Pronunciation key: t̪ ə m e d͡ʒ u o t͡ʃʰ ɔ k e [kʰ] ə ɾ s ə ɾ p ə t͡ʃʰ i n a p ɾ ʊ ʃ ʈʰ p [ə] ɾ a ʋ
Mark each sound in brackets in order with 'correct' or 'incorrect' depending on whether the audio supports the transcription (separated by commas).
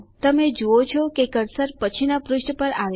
incorrect, correct